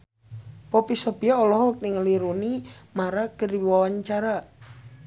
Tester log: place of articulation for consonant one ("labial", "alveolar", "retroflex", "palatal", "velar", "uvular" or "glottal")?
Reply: labial